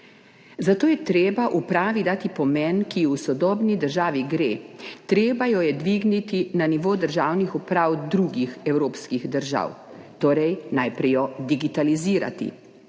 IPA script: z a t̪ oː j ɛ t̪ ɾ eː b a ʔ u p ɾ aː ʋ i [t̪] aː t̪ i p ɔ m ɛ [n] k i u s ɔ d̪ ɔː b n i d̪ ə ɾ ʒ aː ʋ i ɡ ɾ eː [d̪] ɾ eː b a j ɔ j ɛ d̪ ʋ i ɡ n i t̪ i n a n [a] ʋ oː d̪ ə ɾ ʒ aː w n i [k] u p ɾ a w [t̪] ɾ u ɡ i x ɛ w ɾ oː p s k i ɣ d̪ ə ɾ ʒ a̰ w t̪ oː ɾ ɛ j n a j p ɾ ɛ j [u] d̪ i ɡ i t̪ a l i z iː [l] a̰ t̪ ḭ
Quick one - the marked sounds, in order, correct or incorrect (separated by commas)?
incorrect, correct, incorrect, incorrect, incorrect, incorrect, incorrect, incorrect